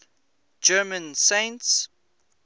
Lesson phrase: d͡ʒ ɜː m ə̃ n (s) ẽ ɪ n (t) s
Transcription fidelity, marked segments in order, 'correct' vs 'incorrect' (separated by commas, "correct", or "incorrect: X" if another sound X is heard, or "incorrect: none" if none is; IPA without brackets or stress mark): correct, correct